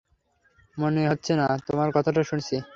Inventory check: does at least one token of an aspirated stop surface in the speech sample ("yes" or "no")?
yes